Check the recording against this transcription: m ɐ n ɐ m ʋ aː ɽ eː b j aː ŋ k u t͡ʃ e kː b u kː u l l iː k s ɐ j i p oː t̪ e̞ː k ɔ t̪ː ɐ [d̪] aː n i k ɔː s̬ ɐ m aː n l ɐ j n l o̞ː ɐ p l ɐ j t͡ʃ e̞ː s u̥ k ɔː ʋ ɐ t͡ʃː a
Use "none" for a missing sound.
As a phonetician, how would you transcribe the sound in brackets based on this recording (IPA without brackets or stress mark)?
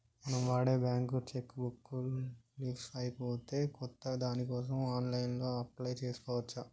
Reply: d̪